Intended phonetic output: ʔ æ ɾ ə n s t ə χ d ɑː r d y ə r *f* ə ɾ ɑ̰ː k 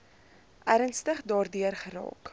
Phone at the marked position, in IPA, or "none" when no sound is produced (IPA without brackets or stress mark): χ